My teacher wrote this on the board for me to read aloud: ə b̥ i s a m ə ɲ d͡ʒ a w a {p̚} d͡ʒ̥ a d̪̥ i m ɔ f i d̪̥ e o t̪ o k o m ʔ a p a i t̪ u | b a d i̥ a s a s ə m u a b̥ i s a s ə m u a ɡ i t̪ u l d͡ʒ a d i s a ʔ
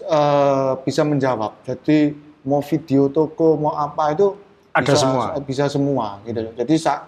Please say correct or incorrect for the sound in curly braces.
correct